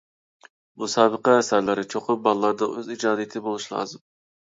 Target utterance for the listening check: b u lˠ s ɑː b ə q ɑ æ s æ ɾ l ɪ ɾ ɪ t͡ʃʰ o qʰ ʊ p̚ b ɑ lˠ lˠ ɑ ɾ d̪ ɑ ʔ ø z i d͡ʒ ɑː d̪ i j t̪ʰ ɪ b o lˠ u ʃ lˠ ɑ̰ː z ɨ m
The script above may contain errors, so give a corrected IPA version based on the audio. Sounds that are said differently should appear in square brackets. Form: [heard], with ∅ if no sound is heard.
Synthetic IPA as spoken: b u [∅] s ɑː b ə q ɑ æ s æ ɾ l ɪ ɾ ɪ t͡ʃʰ o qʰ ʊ p̚ b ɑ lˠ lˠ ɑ ɾ d̪ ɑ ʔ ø z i d͡ʒ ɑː d̪ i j t̪ʰ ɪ b o lˠ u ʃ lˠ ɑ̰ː z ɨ m